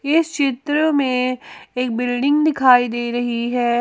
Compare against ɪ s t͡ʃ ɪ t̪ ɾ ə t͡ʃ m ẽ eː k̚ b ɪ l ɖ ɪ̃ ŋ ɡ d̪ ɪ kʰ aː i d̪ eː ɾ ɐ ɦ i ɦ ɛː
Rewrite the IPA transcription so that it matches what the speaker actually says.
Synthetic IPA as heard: ɪ s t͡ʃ ɪ t̪ ɾ ə m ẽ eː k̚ b ɪ l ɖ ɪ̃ ŋ ɡ d̪ ɪ kʰ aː i d̪ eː ɾ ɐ ɦ i ɦ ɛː